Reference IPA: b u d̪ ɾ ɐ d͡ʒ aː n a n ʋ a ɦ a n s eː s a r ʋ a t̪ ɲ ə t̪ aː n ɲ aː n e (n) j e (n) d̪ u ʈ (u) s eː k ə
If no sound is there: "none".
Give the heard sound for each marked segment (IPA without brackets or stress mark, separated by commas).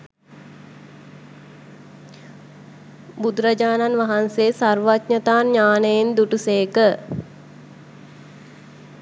none, n, u